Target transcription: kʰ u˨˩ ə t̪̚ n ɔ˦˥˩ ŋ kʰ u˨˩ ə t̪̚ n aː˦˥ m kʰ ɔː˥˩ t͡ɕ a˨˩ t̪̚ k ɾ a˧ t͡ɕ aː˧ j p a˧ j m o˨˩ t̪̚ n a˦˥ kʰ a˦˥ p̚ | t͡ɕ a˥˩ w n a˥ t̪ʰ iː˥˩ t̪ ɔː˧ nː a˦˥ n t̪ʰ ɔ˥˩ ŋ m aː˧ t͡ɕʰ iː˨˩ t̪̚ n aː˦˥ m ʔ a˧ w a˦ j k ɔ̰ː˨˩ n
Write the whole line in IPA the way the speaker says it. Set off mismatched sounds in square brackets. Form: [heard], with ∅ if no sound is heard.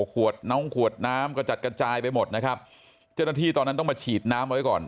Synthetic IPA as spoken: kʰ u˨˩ ə t̪̚ n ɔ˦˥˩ ŋ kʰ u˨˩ ə t̪̚ n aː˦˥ m [k] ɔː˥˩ t͡ɕ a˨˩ t̪̚ k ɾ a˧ t͡ɕ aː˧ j p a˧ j m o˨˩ t̪̚ n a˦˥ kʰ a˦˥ p̚ | t͡ɕ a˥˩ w n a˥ t̪ʰ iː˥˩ t̪ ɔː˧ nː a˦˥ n [t̪] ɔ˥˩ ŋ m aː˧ t͡ɕʰ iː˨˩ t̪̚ n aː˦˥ m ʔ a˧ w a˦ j k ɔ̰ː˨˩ n